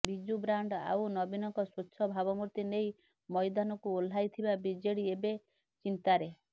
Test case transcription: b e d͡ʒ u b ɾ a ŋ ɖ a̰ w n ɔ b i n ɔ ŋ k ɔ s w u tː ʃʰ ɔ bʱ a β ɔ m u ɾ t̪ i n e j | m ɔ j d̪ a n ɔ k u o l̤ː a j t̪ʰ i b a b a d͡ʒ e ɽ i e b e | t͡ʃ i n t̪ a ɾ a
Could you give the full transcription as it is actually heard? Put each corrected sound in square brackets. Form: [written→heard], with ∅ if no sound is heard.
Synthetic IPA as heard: b [e→i] d͡ʒ u b ɾ a [ŋ→ɳ] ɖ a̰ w n ɔ b i n ɔ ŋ k ɔ s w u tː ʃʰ ɔ bʱ a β ɔ m u ɾ t̪ i n e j | m ɔ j d̪ a n ɔ k u o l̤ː a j t̪ʰ i b a b [a→i] d͡ʒ e ɽ i e b e | t͡ʃ i n t̪ a ɾ [a→e]